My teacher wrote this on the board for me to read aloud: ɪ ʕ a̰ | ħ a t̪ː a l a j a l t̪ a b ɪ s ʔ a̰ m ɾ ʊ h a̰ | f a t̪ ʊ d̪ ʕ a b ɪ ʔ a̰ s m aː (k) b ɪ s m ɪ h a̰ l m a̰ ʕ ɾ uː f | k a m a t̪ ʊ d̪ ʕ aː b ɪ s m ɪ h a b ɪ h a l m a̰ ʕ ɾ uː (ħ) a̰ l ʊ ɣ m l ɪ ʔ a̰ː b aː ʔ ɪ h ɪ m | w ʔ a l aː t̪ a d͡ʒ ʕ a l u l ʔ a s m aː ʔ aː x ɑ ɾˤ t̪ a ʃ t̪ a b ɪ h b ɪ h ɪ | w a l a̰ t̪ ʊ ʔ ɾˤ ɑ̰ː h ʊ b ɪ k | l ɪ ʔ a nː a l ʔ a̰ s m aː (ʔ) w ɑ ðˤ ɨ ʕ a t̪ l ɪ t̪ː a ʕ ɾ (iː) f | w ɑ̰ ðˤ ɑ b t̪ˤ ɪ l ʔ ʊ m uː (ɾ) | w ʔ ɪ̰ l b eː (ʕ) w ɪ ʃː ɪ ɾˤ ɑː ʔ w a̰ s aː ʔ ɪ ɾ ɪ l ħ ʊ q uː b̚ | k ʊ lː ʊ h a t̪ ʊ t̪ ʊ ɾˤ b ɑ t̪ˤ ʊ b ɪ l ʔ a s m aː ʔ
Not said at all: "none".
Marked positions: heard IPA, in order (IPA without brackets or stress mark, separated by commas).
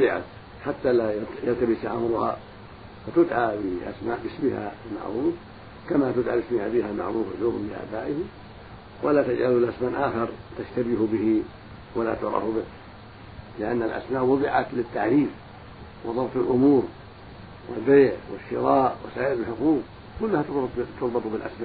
ʔ, f, ʔ, iː, ɾ, ʕ